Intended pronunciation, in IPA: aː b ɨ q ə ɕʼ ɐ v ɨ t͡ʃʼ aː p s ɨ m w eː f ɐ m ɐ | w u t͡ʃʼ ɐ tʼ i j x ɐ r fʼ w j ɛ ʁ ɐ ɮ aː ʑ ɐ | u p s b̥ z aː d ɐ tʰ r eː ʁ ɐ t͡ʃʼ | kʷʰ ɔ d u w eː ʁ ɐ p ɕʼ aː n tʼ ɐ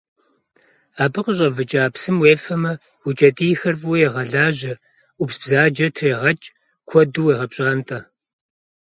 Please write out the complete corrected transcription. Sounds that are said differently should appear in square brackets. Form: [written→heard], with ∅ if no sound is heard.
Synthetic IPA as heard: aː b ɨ q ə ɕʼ ɐ v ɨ t͡ʃʼ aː p s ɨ m w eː f ɐ m ɐ | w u t͡ʃʼ ɐ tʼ i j x ɐ r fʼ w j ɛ ʁ ɐ ɮ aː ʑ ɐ | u p s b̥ z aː [d→d͡ʒ] ɐ tʰ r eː ʁ ɐ t͡ʃʼ | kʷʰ ɔ d u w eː ʁ ɐ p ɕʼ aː n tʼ ɐ

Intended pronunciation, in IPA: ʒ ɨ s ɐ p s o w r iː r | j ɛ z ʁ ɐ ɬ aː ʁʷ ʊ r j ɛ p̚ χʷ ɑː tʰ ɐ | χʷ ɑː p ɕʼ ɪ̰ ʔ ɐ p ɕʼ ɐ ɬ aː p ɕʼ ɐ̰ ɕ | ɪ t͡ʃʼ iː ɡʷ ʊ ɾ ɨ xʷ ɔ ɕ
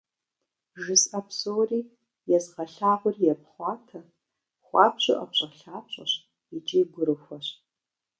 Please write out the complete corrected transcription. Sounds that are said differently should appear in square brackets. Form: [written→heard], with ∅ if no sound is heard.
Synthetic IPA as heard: ʒ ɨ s ɐ p s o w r iː [r→∅] | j ɛ z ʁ ɐ ɬ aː ʁʷ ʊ r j ɛ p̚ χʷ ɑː tʰ ɐ | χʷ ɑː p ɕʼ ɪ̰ ʔ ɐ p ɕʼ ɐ ɬ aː p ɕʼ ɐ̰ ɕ | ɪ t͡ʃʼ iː ɡʷ ʊ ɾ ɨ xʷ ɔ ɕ

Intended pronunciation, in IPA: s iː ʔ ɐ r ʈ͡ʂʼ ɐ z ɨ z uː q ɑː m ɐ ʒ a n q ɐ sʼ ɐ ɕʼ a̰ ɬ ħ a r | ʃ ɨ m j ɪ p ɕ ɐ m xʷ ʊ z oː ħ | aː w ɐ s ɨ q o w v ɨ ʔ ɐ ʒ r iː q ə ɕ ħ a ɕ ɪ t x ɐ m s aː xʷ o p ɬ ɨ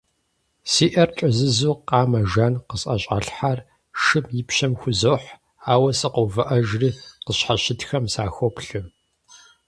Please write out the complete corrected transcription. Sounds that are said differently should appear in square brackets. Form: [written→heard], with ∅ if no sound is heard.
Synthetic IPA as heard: s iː ʔ ɐ r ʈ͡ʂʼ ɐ z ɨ z uː q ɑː m ɐ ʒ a n q [ɐ→ə] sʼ ɐ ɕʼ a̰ ɬ ħ a r | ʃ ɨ m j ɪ p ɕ ɐ m xʷ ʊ z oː ħ | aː w ɐ s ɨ q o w v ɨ ʔ ɐ ʒ r iː q ə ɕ ħ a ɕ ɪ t x ɐ m s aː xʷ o p ɬ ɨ

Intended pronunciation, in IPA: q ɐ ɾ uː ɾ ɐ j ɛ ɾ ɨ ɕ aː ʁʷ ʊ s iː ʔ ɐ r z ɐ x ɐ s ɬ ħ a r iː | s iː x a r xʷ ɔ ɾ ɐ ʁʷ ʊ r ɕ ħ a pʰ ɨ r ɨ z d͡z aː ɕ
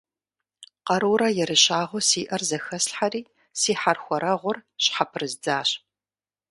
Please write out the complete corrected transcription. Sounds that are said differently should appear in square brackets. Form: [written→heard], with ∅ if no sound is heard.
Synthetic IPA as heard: q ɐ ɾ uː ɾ ɐ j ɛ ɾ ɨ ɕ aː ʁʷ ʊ s iː ʔ ɐ r z ɐ x ɐ s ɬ ħ a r iː | s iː [x→ħ] a r xʷ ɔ ɾ ɐ ʁʷ ʊ r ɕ ħ a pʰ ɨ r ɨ z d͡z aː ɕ

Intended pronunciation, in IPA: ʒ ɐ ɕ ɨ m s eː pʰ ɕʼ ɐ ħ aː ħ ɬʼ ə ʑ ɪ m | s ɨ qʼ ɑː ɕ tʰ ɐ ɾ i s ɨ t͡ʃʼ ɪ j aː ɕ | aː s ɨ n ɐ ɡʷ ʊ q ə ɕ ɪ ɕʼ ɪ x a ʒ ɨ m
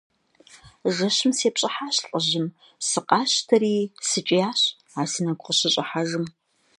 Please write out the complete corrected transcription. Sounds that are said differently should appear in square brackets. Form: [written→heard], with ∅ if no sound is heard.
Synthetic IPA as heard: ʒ ɐ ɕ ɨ m s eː [pʰ→p] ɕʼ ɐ ħ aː [ħ→ɕ] ɬʼ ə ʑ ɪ m | s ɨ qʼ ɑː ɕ tʰ ɐ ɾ [i→iː] s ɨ t͡ʃʼ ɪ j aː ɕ | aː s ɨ n ɐ ɡʷ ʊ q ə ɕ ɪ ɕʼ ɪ [x→ħ] a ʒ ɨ m

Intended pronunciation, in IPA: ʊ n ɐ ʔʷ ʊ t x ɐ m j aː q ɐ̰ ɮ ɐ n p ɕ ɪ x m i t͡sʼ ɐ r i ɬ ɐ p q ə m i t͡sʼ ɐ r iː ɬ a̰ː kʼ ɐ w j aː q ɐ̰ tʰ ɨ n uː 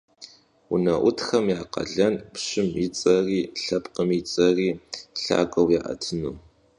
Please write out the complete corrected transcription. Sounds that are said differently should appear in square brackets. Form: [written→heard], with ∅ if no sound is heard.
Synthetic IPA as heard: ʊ n ɐ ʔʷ ʊ t x ɐ m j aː q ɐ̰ ɮ ɐ n p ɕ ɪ [x→∅] m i t͡sʼ ɐ r [i→iː] ɬ ɐ p q ə m i t͡sʼ ɐ r iː ɬ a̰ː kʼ ɐ w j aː [q→ʔ] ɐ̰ tʰ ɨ n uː

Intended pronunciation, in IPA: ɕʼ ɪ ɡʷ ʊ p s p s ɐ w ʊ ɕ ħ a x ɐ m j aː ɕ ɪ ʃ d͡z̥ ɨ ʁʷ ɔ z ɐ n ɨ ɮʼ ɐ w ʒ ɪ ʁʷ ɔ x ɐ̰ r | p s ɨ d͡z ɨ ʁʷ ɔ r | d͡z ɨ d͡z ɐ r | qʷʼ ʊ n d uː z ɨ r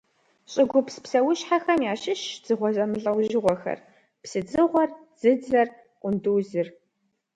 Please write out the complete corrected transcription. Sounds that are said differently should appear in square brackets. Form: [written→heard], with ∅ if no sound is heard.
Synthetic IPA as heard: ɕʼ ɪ ɡʷ ʊ p s p s ɐ w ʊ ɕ ħ a x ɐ m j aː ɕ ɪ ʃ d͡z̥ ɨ ʁʷ ɔ z ɐ [n→m] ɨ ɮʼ ɐ w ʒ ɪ ʁʷ ɔ x ɐ̰ r | p s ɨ d͡z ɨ ʁʷ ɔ r | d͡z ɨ d͡z ɐ r | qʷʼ ʊ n d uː z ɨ r

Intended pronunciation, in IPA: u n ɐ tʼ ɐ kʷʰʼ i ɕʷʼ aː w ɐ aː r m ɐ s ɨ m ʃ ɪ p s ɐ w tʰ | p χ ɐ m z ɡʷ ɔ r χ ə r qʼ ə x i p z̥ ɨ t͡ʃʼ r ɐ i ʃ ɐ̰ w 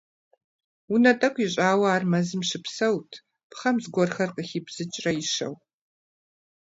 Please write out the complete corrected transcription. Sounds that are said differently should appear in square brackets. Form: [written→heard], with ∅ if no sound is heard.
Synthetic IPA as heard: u n ɐ tʼ ɐ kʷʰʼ i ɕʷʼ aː w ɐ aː r m ɐ [s→z] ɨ m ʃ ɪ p s ɐ w tʰ | p χ ɐ m z ɡʷ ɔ r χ [ə→ɐ] r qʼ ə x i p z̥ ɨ t͡ʃʼ r ɐ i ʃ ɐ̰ w

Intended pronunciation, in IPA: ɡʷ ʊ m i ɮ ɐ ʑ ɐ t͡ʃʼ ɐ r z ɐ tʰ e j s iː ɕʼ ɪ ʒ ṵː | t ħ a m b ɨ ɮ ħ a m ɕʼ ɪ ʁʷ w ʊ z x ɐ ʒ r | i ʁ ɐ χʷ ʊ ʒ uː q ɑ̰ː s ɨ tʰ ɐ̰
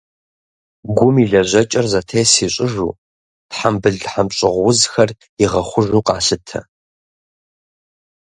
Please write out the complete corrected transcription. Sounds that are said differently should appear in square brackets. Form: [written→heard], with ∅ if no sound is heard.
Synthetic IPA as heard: ɡʷ ʊ m i ɮ ɐ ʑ ɐ t͡ʃʼ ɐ r z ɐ tʰ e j s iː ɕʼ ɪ ʒ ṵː | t ħ a m b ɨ ɮ ħ a m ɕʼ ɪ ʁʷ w ʊ z x ɐ [ʒ→∅] r | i ʁ ɐ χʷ ʊ ʒ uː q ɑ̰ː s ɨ tʰ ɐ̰

